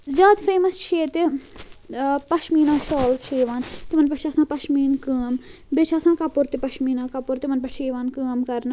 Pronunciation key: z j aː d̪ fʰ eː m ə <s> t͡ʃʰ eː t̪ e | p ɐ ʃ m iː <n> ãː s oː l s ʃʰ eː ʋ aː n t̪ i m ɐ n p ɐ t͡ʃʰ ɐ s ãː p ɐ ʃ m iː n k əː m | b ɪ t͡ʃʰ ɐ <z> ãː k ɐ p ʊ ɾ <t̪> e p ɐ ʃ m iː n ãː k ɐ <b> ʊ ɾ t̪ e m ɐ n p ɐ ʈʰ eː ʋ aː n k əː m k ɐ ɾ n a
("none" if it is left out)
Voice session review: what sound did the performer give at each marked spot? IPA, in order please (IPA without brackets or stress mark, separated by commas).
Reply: s, n, s, t̪, p